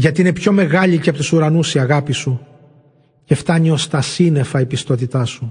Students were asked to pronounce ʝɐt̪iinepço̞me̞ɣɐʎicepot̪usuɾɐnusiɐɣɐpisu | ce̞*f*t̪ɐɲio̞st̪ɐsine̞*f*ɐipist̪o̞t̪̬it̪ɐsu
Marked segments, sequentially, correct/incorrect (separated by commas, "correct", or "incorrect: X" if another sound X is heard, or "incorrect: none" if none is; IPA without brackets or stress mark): correct, correct